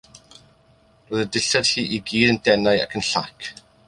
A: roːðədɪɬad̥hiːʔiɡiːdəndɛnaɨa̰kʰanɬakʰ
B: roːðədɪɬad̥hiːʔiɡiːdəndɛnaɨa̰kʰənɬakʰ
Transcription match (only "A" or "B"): B